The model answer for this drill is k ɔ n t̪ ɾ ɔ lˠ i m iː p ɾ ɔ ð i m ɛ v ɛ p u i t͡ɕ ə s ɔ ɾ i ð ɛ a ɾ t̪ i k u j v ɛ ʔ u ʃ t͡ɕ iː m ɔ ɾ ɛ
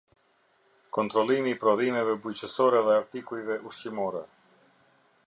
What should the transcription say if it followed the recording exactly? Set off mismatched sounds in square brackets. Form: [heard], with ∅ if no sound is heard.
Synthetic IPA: k ɔ n t̪ ɾ ɔ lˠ i m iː p ɾ ɔ ð i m ɛ v ɛ [b] u [j] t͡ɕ ə s ɔ ɾ [ɛ] ð ɛ a ɾ t̪ i k u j v ɛ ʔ u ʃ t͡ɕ [i] m ɔ ɾ ɛ